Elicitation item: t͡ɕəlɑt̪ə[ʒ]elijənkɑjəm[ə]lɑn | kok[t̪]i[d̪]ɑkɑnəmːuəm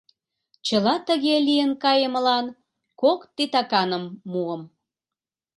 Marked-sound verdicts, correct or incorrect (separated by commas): incorrect, correct, correct, incorrect